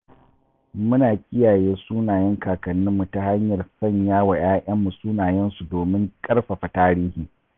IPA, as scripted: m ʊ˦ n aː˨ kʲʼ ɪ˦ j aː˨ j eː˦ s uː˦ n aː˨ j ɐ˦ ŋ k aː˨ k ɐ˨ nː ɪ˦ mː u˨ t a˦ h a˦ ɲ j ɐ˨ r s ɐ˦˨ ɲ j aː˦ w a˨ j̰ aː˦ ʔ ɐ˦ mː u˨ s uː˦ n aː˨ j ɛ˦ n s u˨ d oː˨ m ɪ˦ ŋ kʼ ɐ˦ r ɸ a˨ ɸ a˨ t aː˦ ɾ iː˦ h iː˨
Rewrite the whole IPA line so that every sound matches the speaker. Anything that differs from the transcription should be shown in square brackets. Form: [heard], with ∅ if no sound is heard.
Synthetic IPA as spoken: m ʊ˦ n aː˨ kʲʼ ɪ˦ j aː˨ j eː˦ s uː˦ n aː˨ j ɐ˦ ŋ k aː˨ k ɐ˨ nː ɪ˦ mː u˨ t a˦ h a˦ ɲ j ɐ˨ r s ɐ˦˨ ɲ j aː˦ w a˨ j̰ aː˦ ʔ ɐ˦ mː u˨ s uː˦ n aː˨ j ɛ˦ n s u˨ d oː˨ m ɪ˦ ŋ kʼ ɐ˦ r ɸ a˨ ɸ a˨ t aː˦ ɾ iː˦ h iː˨